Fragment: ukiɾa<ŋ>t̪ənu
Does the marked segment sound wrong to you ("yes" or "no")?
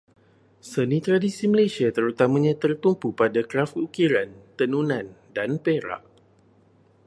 yes